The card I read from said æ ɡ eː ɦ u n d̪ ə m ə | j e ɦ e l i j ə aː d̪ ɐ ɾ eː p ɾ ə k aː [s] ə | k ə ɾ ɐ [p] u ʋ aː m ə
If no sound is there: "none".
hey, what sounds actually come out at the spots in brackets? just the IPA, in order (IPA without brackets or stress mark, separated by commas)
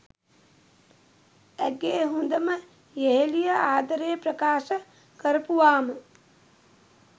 ʃ, p